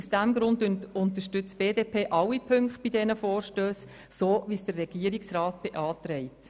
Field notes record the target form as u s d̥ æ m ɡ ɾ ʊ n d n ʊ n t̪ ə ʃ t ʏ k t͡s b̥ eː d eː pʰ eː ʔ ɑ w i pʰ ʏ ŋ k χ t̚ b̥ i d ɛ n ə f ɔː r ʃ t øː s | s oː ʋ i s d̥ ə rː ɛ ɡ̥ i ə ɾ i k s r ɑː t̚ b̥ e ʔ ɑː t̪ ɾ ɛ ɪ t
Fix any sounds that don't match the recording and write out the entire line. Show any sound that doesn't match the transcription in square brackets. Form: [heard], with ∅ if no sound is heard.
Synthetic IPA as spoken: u s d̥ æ m ɡ ɾ ʊ n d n ʊ n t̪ ə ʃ t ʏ [∅] t͡s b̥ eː d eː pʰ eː ʔ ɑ w i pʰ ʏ ŋ k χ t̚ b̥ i d ɛ n ə f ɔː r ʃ t øː s | s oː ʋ i s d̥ ə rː ɛ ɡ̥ i ə ɾ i k s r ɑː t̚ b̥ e ʔ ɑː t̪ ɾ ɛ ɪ t